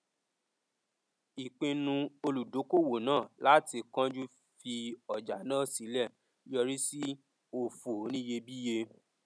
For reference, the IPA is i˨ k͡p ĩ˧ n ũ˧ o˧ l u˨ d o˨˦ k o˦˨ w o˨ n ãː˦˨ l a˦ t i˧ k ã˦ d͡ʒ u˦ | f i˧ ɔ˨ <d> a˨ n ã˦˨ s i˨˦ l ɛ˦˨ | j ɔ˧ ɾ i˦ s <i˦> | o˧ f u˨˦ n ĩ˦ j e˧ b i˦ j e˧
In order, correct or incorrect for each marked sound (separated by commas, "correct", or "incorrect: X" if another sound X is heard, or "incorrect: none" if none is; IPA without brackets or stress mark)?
incorrect: d͡ʒ, correct